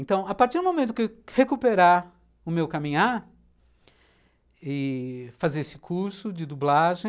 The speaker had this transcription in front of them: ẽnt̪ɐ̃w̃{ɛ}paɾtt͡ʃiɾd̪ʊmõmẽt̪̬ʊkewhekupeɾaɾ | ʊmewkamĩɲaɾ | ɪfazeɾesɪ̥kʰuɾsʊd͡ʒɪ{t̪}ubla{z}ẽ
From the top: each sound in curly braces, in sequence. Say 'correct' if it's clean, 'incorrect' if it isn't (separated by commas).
incorrect, incorrect, incorrect